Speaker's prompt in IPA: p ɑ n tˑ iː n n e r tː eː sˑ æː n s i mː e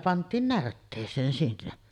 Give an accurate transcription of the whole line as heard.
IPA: p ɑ n tˑ iː n n æ r tː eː sˑ eː n s i nː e